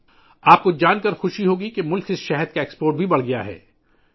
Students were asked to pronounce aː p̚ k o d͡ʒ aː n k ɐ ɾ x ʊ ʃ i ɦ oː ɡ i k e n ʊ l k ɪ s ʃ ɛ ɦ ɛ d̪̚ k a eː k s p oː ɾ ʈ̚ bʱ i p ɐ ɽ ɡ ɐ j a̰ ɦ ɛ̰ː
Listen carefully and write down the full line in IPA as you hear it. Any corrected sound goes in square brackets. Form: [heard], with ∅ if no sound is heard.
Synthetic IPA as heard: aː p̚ k o d͡ʒ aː n k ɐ ɾ x ʊ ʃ i ɦ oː ɡ i k e [m] ʊ l k ɪ s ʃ ɛ ɦ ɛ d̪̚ k a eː k s p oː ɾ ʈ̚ bʱ i [b] ɐ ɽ ɡ ɐ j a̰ ɦ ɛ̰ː